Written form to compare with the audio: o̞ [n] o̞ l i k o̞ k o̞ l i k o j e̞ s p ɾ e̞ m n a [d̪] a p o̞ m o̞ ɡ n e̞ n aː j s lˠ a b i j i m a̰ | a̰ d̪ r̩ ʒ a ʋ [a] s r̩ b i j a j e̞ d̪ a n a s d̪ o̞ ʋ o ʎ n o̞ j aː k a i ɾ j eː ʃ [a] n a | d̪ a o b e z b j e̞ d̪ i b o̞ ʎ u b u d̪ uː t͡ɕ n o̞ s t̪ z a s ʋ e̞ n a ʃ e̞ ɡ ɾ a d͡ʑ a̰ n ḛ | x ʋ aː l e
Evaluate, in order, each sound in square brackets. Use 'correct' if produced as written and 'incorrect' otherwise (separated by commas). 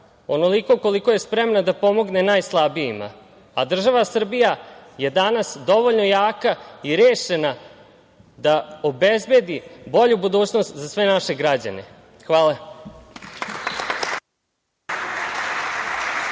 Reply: correct, correct, correct, incorrect